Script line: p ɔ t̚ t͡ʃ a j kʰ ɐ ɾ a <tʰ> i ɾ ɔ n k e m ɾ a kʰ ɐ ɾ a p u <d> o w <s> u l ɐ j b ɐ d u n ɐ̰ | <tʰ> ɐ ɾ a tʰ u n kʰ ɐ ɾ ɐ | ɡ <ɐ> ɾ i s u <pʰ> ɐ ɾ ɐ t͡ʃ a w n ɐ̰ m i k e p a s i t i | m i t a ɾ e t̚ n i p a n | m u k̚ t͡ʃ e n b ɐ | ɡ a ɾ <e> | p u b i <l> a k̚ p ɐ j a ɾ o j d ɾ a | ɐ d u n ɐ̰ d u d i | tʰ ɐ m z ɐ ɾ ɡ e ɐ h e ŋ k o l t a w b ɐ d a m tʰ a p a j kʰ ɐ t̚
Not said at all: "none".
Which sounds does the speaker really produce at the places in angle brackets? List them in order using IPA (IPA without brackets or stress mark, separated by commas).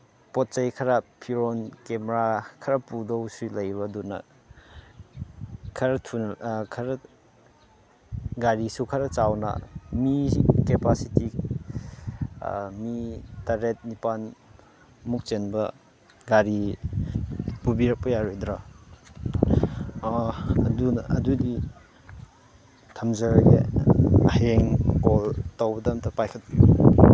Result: pʰ, d, s, kʰ, a, kʰ, i, ɾ